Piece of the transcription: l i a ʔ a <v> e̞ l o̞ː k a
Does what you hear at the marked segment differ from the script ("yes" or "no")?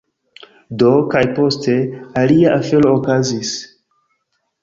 yes